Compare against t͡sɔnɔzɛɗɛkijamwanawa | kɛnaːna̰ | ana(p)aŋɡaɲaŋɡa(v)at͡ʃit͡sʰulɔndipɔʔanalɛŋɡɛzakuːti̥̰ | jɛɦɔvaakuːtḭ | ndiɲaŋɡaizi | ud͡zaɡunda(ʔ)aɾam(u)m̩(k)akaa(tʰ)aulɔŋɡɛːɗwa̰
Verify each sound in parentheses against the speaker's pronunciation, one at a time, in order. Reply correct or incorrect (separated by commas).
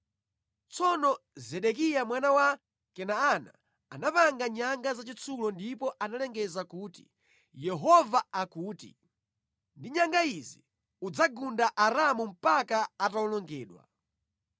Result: correct, incorrect, correct, correct, incorrect, incorrect